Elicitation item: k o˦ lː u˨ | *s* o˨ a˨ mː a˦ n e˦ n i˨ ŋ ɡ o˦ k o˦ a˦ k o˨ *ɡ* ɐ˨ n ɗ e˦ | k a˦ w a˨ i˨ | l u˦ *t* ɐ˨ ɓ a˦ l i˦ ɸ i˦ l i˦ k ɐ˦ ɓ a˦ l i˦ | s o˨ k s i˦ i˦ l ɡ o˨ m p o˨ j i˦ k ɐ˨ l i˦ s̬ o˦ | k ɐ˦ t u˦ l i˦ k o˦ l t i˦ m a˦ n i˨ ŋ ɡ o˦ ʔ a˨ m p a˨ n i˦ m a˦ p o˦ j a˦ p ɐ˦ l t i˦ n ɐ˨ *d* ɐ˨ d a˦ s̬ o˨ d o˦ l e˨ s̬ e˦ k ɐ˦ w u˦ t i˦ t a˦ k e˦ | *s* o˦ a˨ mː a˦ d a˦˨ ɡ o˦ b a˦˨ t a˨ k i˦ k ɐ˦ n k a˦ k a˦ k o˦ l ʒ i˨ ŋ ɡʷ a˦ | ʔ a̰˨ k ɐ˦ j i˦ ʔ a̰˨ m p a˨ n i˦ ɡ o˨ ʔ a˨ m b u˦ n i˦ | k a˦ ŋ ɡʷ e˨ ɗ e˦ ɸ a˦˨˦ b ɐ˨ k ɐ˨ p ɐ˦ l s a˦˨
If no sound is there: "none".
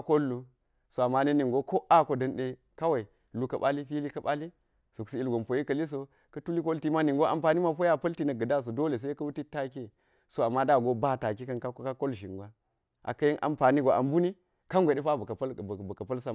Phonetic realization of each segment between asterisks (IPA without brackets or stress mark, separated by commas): s, d, k, ɡ, s